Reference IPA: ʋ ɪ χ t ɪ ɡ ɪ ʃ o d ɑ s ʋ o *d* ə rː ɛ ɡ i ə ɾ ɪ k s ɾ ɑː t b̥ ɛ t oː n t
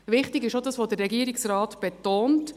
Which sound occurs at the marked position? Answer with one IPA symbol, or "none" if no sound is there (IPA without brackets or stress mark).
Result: d